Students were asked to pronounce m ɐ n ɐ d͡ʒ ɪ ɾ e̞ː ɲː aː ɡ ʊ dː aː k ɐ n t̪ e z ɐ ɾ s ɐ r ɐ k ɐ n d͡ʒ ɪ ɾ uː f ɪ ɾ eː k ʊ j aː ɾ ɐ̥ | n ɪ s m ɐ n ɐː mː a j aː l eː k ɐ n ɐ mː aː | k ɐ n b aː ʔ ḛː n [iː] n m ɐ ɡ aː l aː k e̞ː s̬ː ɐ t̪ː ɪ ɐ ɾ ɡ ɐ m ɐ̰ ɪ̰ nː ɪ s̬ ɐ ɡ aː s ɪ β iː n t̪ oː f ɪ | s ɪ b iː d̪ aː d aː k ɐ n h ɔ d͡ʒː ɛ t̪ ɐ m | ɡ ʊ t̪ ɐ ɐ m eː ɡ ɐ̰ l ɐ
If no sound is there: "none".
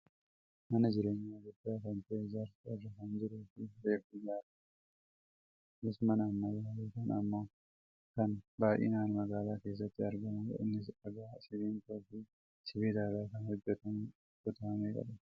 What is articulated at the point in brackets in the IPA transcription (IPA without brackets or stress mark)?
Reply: aː